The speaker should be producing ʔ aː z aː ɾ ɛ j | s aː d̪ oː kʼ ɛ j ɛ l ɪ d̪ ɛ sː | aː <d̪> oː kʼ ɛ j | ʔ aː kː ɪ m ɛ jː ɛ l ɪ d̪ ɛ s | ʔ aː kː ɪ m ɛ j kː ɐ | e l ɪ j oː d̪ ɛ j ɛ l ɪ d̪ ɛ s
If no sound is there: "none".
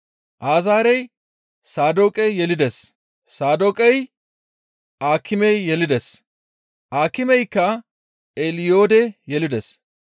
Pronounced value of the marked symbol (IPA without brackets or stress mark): d̪